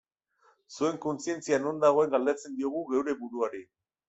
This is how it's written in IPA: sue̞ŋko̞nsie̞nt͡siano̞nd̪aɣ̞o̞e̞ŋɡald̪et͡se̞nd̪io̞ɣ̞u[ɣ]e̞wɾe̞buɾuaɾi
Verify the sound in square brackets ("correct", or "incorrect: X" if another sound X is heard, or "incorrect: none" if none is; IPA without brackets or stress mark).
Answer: correct